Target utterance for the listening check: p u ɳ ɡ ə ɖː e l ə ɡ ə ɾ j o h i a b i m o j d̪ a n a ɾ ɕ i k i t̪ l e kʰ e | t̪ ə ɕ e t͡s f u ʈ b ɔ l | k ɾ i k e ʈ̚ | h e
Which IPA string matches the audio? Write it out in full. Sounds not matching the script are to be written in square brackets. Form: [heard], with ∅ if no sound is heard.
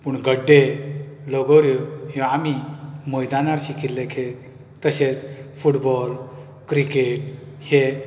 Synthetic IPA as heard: p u ɳ ɡ ə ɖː e l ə ɡ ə ɾ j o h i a [m] i m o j d̪ a n a ɾ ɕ i k i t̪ l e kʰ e | t̪ ə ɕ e t͡s f u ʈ b ɔ l | k ɾ i k e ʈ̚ | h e